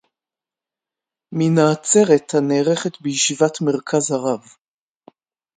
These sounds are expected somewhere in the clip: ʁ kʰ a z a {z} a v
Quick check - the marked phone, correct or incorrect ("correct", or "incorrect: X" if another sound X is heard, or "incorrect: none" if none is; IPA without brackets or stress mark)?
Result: incorrect: ʁ